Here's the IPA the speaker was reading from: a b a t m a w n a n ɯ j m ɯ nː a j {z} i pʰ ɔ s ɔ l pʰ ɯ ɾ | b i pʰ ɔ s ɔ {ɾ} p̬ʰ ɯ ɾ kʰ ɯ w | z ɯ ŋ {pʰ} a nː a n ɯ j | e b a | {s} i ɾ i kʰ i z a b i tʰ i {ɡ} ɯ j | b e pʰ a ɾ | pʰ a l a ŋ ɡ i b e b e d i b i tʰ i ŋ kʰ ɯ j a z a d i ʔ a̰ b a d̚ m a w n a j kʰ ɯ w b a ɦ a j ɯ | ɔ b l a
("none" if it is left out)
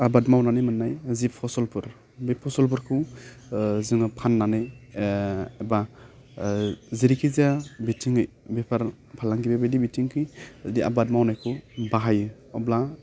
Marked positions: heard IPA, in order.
z, l, pʰ, z, ŋ

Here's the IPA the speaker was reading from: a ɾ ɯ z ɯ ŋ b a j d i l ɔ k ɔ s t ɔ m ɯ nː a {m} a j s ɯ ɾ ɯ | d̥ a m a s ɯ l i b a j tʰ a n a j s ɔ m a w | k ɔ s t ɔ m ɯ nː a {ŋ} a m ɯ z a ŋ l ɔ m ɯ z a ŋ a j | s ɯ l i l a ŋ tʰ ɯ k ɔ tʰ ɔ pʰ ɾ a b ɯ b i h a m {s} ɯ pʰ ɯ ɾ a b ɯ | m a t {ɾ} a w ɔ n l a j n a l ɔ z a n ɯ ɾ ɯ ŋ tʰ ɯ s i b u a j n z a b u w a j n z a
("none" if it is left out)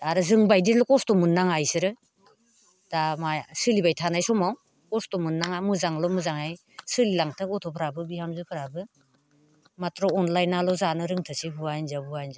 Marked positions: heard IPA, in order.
ŋ, ŋ, z, ɾ

